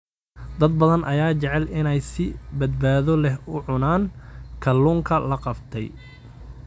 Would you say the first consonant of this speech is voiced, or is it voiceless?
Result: voiced